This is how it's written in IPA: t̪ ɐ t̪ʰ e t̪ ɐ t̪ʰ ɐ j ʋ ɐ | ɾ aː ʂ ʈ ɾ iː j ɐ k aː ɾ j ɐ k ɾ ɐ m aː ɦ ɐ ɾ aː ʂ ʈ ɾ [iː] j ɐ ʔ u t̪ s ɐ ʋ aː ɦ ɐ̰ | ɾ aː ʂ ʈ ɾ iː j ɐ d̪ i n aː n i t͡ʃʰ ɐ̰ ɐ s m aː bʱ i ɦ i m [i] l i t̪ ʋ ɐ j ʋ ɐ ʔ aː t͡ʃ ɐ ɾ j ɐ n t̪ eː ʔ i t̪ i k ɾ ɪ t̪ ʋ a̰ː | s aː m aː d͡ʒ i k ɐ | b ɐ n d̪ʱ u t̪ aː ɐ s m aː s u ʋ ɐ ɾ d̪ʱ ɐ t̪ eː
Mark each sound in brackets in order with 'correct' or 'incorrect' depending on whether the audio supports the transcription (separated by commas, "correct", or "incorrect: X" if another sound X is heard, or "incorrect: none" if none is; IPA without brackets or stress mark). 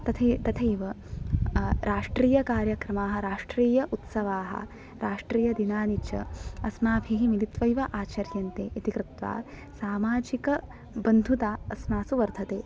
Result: correct, correct